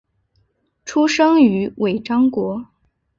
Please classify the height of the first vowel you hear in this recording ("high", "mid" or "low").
high